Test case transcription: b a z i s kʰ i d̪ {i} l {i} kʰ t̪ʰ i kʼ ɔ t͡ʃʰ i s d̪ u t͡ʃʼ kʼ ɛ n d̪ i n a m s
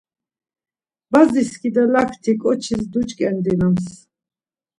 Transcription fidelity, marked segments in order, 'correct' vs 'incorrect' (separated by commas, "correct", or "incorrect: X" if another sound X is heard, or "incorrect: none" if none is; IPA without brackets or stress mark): incorrect: a, incorrect: a